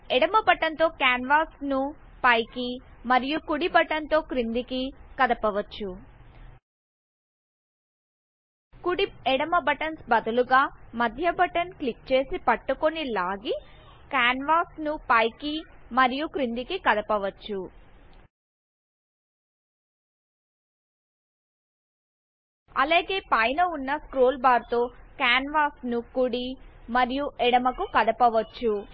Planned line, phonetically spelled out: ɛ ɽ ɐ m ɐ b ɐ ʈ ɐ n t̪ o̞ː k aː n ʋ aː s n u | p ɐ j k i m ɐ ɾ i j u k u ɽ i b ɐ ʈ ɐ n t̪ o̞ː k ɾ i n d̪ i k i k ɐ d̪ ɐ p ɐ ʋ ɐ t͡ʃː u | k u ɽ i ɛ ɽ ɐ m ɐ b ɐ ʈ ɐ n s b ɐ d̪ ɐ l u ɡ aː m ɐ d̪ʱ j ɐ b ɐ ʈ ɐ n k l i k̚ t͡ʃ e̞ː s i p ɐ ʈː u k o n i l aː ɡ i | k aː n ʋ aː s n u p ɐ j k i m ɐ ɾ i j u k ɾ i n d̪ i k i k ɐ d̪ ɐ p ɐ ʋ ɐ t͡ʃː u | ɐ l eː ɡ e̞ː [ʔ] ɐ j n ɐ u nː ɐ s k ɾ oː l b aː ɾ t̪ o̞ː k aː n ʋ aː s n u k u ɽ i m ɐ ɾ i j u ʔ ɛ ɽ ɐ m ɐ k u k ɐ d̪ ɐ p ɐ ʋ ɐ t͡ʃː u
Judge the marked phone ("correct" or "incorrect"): incorrect